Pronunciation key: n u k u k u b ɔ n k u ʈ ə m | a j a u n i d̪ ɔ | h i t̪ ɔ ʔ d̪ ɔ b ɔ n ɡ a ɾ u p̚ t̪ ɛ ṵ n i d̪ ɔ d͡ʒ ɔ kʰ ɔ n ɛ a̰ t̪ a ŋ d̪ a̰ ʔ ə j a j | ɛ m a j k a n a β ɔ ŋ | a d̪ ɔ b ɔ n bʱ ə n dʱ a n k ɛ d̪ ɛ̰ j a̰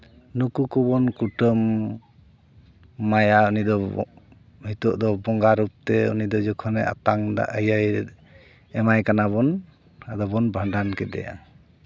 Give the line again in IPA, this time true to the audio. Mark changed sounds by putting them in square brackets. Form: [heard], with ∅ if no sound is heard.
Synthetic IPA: n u k u k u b ɔ n k u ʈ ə m | a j a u n i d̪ ɔ | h i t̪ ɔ ʔ d̪ ɔ b ɔ [ŋ] ɡ a ɾ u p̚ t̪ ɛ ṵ n i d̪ ɔ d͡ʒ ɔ kʰ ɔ n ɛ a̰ t̪ a ŋ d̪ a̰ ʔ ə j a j | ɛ m a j k a n a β ɔ [n] | a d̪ ɔ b ɔ n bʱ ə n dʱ a n k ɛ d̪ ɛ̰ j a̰